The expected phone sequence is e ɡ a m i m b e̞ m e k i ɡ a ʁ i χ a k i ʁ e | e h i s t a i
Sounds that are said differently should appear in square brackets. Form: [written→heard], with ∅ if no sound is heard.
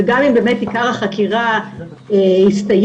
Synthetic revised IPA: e ɡ a m i m b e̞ m e [k→t] i [ɡ→k] a ʁ [i→a] χ a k i ʁ [e→a] | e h i s t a [i→j]

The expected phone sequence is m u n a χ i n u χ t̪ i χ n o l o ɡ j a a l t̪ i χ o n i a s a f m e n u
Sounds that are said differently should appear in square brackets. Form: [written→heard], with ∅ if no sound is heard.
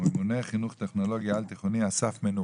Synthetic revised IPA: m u n [a→e] χ i n u χ t̪ [i→e] χ n o l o ɡ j a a l t̪ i χ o n i a s a f m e n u

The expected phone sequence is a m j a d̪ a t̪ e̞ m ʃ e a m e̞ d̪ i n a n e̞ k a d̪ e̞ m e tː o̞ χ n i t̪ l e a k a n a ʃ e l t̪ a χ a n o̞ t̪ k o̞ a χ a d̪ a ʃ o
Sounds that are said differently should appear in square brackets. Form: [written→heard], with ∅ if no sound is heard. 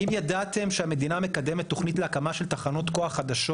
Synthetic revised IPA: [a→i] m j a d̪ a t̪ e̞ m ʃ e a m e̞ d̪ i n a [n→m] e̞ k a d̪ e̞ m e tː o̞ χ n i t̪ l e a k a [n→m] a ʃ e l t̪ a χ a n o̞ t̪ k o̞ a χ a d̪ a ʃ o

